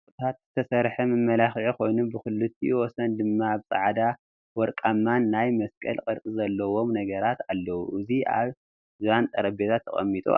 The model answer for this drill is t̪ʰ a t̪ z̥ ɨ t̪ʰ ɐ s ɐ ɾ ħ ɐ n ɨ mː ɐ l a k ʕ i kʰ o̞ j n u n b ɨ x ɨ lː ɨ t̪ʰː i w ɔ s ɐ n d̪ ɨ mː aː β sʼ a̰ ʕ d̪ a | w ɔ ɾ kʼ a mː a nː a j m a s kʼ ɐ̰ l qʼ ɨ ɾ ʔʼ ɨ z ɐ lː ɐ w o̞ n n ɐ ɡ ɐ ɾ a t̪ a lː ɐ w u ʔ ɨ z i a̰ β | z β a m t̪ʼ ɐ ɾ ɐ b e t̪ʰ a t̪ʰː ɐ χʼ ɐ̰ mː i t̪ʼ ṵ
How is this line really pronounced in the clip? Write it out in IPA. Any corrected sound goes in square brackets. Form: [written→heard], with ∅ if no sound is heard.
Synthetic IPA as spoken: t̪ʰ a t̪ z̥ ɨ t̪ʰ ɐ s ɐ ɾ ħ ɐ [n→m] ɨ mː ɐ l a [k→x] ʕ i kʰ o̞ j n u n b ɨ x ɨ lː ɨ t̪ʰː i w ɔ s ɐ n d̪ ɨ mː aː β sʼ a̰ ʕ d̪ a | w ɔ ɾ kʼ a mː a nː a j m [a→ɐ] s kʼ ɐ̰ l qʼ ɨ ɾ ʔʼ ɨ z ɐ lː ɐ w o̞ [n→m] n ɐ ɡ ɐ ɾ a t̪ a lː ɐ w u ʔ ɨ z i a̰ β | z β a [m→n] t̪ʼ ɐ ɾ ɐ b e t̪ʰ a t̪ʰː ɐ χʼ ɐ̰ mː i t̪ʼ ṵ